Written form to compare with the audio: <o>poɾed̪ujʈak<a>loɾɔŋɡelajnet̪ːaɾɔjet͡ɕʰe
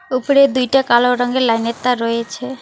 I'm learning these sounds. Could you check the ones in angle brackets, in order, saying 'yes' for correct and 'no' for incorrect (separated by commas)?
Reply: no, yes